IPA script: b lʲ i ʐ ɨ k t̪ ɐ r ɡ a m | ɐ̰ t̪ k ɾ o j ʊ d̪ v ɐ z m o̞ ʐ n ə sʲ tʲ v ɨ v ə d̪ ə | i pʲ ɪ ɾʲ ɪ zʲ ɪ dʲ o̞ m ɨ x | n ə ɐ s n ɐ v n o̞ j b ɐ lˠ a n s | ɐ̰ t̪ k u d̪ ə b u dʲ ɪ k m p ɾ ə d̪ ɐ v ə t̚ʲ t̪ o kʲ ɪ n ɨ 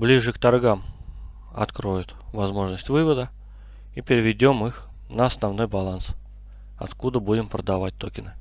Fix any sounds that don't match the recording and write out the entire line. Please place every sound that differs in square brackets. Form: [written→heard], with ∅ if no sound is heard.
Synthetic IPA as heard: b lʲ i ʐ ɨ k t̪ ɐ r ɡ a m | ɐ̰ t̪ k ɾ o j ʊ [d̪→t̪] v ɐ z m o̞ ʐ n ə sʲ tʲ v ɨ v ə d̪ ə | i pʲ ɪ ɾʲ ɪ [zʲ→vʲ] ɪ dʲ o̞ m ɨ x | n ə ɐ s n ɐ v n o̞ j b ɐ lˠ a n s | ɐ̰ t̪ k u d̪ ə b u dʲ ɪ [k→∅] m p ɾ ə d̪ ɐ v [ə→a] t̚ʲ t̪ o kʲ ɪ n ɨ